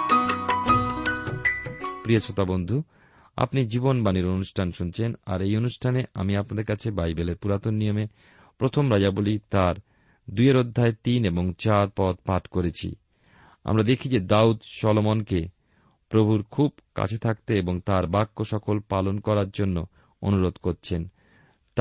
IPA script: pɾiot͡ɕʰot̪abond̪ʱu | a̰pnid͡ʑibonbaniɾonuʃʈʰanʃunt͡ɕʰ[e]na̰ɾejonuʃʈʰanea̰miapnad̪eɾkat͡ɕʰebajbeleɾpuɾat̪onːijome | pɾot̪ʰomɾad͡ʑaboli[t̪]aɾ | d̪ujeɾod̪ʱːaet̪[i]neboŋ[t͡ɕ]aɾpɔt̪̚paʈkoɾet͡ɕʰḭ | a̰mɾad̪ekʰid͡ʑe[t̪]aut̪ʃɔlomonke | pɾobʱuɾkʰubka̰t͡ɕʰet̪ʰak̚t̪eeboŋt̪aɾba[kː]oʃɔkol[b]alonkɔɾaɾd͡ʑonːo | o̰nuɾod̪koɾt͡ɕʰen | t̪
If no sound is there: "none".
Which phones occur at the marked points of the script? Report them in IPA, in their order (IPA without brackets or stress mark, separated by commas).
e, t̪, i, t͡ɕ, d̪, kː, p